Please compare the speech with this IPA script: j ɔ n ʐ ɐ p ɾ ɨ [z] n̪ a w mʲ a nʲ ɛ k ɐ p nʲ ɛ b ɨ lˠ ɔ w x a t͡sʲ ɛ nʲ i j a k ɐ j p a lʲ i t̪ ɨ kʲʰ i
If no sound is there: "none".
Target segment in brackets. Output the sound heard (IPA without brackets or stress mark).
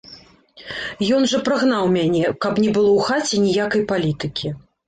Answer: ɣ